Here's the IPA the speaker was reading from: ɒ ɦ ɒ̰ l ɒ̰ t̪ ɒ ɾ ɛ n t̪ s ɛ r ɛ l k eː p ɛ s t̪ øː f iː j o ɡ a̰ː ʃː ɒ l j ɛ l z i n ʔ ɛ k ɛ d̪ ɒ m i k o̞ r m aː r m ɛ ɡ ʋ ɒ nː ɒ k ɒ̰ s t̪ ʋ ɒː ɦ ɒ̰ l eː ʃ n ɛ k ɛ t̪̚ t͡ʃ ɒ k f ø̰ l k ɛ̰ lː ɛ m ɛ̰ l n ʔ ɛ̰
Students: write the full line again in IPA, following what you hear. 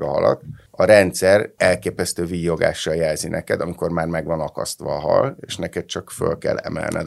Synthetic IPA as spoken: ɒ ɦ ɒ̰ l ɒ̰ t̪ ɒ ɾ ɛ n t̪ s ɛ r ɛ l k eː p ɛ s t̪ øː v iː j o ɡ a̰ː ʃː ɒ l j ɛ l z i n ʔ ɛ k ɛ d̪ ɒ m i k o̞ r m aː r m ɛ ɡ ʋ ɒ n ɒ k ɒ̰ s t̪ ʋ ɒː ɦ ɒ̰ l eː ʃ n ɛ k ɛ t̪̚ t͡ʃ ɒ k f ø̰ l k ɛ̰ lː ɛ m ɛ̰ l n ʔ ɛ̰